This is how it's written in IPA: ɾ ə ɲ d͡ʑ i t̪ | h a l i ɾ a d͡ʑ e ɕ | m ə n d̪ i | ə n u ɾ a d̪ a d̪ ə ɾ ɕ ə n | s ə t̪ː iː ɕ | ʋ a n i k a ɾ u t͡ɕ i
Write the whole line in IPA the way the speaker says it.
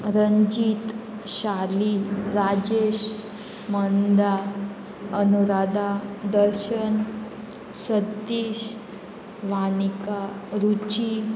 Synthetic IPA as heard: ɾ ə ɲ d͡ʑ i t̪ | ɕ a l i ɾ a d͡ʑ e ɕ | m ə n d̪ a | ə n u ɾ a d̪ a d̪ ə ɾ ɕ ə n | s ə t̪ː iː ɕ | ʋ a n i k a ɾ u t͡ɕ i